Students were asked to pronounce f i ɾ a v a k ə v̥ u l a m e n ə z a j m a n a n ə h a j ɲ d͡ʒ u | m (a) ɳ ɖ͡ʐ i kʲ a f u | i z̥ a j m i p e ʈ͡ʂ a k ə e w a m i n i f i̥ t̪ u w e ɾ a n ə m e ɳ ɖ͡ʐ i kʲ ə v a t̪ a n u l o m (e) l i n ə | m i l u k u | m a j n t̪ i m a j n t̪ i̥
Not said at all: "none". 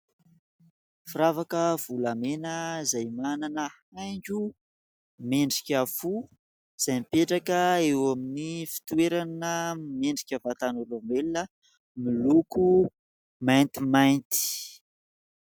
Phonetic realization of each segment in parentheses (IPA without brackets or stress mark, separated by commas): e, e